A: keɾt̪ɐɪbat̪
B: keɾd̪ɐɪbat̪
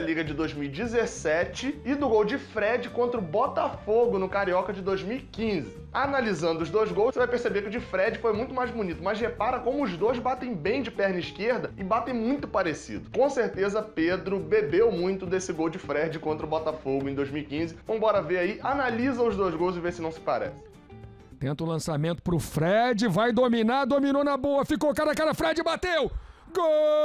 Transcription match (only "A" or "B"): B